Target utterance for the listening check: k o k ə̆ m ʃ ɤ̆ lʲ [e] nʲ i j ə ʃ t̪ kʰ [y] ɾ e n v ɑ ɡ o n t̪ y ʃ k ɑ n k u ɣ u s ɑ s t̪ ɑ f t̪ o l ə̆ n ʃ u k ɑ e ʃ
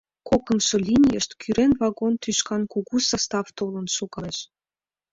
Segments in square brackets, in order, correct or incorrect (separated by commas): incorrect, correct